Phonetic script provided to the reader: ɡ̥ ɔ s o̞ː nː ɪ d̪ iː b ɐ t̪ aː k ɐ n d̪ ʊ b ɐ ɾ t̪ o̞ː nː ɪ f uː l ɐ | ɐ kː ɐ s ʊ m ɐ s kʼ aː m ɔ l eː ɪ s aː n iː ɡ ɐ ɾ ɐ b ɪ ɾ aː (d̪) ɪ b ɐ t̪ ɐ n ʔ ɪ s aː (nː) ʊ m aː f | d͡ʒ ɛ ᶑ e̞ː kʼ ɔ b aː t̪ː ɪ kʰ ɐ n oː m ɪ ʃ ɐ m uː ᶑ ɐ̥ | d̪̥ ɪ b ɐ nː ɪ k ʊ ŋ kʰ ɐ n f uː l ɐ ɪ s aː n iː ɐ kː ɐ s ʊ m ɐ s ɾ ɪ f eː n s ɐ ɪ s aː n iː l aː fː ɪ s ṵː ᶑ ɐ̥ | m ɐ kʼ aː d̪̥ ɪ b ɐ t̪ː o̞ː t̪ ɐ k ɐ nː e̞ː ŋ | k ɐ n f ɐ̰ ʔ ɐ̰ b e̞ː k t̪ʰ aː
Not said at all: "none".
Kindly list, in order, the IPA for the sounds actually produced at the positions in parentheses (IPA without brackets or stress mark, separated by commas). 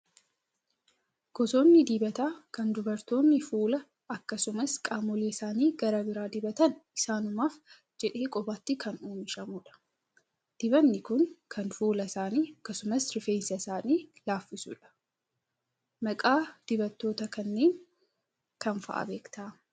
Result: d̪, n